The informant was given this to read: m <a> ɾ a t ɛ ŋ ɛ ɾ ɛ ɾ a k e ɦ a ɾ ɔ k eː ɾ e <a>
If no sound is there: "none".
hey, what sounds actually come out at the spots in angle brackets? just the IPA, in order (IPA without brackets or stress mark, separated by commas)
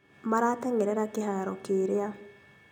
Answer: a, a